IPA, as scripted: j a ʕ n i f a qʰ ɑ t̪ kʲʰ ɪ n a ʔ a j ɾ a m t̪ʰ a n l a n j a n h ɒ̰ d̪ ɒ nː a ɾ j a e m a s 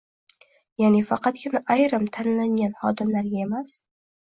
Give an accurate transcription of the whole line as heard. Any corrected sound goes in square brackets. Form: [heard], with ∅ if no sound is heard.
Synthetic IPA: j a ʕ n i f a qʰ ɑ t̪ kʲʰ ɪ n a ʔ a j ɾ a m t̪ʰ a n l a n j a n h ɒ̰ d̪ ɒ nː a ɾ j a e m a s